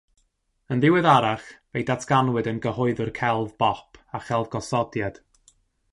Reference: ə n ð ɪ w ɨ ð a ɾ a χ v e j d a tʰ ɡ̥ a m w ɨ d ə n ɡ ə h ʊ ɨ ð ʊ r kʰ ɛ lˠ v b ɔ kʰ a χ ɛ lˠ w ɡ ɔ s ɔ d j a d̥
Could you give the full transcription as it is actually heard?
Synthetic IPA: ə n ð ɪ w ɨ ð a ɾ a χ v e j d a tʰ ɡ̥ a n w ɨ d ə n ɡ ə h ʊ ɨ ð ʊ r kʰ ɛ lˠ v b ɔ pʰ a χ ɛ lˠ v ɡ ɔ s ɔ d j a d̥